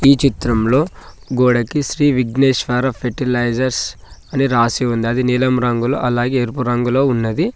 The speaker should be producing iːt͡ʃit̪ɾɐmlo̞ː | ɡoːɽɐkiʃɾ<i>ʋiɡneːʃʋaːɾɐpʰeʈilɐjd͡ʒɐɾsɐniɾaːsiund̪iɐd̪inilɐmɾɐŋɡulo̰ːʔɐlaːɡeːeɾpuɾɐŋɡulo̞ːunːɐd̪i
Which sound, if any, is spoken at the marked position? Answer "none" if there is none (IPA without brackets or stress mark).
iː